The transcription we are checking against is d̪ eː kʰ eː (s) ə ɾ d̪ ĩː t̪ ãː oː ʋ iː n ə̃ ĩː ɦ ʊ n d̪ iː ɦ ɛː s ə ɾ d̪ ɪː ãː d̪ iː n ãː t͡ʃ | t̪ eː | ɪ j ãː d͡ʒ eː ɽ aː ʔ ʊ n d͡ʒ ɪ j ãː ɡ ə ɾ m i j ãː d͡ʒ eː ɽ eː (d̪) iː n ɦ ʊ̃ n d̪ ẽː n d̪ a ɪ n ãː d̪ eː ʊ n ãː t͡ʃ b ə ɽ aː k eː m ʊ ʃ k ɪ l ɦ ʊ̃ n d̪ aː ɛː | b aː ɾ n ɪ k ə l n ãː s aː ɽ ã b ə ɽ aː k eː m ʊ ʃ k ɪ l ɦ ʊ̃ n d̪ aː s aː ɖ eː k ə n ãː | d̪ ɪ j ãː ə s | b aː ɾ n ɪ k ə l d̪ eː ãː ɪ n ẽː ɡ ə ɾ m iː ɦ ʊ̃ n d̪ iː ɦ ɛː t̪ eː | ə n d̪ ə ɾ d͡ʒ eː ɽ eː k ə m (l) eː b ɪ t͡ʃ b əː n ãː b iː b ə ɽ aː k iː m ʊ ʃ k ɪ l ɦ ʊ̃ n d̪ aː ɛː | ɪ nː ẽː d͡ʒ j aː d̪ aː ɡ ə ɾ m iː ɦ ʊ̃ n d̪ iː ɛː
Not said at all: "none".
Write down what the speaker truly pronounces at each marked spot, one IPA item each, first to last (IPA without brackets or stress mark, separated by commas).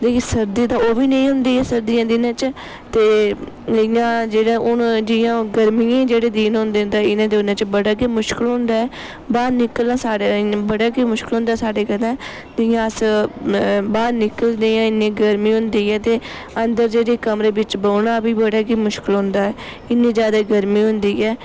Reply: s, d̪, ɾ